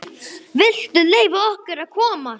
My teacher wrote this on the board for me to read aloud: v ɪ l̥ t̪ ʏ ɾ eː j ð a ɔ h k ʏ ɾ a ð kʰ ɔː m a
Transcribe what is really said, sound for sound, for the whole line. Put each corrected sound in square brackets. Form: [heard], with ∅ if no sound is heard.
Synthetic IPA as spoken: v ɪ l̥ t̪ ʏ [l] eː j [v] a ɔ h k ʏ ɾ a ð kʰ ɔː m a